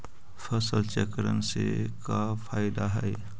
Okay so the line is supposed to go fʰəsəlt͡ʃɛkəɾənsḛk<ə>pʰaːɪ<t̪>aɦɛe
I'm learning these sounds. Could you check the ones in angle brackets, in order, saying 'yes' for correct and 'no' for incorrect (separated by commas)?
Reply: no, no